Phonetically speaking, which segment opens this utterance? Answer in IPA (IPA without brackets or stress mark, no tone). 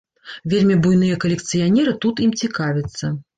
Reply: vʲ